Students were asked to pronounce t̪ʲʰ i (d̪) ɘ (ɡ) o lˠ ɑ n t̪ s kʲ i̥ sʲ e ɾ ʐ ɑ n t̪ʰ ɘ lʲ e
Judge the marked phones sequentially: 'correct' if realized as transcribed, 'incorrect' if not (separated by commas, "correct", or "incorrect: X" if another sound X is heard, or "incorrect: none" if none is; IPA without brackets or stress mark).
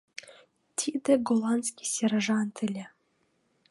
correct, correct